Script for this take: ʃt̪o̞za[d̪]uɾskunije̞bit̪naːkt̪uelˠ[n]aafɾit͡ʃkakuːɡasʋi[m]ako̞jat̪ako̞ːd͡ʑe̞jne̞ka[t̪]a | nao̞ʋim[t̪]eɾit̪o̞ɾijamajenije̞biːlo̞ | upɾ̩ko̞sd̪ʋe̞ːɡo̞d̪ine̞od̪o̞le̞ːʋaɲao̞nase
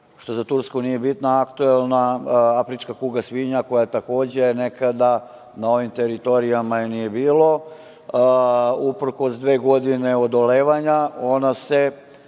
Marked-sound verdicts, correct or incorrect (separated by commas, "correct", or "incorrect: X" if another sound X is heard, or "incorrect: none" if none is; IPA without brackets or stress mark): incorrect: t̪, correct, incorrect: ɲ, incorrect: d̪, correct